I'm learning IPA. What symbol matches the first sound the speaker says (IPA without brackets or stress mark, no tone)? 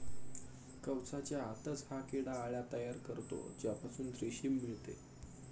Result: k